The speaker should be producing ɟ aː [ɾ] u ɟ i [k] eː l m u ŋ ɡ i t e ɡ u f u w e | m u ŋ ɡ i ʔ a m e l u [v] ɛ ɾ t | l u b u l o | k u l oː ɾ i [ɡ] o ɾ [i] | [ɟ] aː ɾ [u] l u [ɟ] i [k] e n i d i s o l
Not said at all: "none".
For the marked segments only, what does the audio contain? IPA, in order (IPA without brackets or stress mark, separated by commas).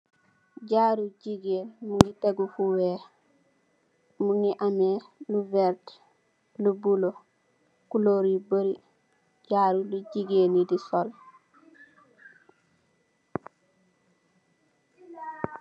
ɾ, ɡ, v, b, i, ɟ, u, ɟ, ɡ